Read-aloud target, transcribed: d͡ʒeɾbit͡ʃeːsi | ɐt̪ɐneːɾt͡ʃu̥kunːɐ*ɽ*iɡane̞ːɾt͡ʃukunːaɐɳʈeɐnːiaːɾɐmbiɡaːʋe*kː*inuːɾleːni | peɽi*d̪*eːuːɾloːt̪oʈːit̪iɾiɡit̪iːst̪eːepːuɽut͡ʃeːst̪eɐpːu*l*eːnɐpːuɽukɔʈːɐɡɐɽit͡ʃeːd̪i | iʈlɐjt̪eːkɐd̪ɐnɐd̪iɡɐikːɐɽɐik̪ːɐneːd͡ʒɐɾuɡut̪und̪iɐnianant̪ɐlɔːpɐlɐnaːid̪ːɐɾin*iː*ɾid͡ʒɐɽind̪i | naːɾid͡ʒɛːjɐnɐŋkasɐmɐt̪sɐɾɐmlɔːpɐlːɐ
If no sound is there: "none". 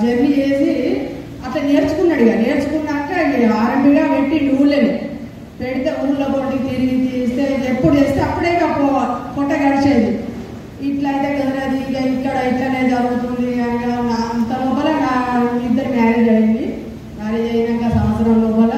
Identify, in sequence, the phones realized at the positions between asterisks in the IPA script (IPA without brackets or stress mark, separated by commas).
ɽ, ʈː, t̪, ɽ, aː